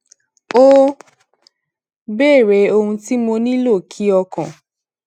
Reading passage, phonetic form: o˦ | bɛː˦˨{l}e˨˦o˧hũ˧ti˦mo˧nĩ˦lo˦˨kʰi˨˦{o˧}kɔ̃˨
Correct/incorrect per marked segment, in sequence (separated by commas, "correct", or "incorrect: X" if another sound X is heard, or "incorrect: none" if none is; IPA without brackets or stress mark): incorrect: ɾ, incorrect: ɔ˧